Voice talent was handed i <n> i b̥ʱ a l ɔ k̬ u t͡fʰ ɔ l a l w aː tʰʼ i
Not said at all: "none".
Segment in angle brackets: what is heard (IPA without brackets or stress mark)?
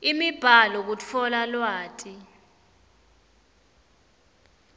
m